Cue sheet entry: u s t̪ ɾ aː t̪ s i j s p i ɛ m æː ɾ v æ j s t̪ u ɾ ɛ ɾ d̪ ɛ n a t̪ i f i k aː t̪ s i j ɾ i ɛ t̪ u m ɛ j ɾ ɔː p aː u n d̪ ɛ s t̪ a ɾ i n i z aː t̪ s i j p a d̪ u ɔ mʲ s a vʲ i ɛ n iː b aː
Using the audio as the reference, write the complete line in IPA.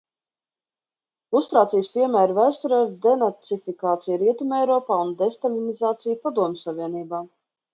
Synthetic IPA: u s t̪ ɾ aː t̪ s i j s p i ɛ m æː ɾ v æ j s t̪ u ɾ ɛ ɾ d̪ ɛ n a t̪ i f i k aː t̪ s i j ɾ i ɛ t̪ u m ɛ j ɾ ɔː p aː u n d̪ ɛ s t̪ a l i n i z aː t̪ s i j p a d̪ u ɔ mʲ s a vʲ i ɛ n iː b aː